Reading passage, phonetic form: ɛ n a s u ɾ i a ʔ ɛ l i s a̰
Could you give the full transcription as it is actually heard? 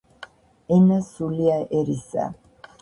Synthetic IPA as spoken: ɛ n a s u l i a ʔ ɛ ɾ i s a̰